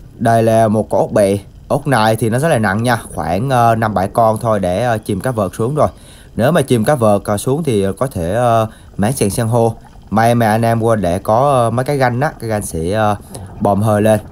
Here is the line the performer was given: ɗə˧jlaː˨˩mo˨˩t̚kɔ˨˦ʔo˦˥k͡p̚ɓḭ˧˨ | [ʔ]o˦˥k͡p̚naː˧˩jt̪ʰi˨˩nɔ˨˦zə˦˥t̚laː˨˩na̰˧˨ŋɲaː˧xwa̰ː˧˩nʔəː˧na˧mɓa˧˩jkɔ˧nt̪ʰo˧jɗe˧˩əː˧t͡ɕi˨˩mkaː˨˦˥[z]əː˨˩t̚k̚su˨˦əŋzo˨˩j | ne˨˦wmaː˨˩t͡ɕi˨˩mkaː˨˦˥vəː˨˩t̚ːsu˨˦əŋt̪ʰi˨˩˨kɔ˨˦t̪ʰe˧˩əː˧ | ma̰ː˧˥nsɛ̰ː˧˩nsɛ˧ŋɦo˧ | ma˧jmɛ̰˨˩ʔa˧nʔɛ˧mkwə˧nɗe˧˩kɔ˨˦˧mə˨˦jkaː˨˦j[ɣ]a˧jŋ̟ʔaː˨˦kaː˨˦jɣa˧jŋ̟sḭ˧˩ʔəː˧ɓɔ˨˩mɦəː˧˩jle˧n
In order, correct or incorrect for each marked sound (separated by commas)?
correct, incorrect, correct